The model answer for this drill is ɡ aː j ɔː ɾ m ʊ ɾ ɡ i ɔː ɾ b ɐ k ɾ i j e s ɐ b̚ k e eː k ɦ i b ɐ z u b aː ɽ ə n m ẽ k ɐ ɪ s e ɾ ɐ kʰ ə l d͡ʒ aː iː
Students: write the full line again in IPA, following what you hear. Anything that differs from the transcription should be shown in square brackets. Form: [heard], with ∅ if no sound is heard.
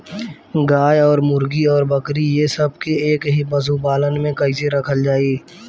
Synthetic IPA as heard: ɡ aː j ɔː ɾ m ʊ ɾ ɡ i ɔː ɾ b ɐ k ɾ i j e s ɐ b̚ k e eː k ɦ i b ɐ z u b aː [l] ə n m ẽ k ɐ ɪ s e ɾ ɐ kʰ ə l d͡ʒ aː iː